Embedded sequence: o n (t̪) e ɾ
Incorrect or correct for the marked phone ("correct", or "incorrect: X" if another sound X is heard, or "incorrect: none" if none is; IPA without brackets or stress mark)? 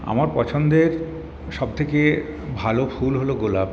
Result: incorrect: d̪